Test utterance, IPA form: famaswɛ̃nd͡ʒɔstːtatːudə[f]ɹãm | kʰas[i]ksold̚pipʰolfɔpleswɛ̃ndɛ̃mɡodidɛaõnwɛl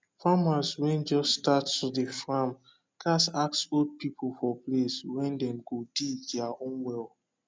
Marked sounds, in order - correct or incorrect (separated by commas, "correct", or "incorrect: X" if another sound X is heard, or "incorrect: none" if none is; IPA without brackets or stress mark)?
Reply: correct, incorrect: a